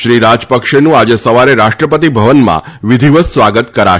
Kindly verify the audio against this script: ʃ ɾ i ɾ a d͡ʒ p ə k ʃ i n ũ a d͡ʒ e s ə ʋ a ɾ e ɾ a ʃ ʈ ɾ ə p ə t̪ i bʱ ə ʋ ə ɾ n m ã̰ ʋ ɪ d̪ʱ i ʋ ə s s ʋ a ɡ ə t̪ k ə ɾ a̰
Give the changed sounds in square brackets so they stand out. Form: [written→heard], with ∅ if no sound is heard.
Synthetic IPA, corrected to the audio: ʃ ɾ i ɾ a d͡ʒ p ə k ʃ [i→e] n ũ a d͡ʒ e s ə ʋ a ɾ e ɾ a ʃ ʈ ɾ ə p ə t̪ i bʱ ə ʋ ə [ɾ→∅] n m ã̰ ʋ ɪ d̪ʱ i ʋ ə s s ʋ a ɡ ə t̪ k ə ɾ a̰